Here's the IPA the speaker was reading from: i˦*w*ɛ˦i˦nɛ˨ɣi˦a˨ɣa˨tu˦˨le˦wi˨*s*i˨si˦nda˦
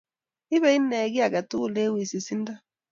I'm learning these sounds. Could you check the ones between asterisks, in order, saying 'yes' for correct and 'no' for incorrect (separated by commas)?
no, yes